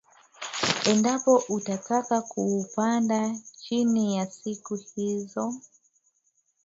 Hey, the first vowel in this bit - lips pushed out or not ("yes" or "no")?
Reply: no